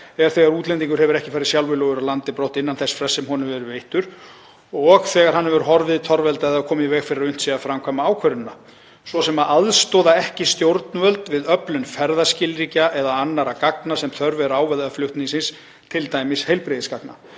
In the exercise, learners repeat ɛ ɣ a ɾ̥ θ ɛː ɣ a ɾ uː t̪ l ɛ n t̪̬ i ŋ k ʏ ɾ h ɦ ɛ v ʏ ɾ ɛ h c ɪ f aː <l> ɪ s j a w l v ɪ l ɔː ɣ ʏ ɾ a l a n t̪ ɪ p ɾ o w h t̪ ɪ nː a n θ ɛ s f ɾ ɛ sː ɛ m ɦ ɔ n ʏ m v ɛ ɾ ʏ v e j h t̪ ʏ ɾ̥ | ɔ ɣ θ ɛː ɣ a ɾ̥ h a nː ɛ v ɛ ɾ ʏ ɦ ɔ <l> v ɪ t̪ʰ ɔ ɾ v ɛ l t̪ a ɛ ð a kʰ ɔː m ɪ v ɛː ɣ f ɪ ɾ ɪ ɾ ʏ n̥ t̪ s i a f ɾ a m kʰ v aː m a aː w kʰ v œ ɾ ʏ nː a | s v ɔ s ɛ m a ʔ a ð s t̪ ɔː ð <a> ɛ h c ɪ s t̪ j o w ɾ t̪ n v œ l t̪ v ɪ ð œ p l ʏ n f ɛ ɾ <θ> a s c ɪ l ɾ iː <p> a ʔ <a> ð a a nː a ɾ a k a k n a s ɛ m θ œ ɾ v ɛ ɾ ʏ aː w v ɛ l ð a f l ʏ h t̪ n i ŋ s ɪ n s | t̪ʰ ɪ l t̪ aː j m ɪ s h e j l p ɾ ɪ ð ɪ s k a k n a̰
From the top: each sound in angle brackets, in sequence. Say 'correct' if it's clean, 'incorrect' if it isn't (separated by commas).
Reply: incorrect, incorrect, correct, incorrect, incorrect, incorrect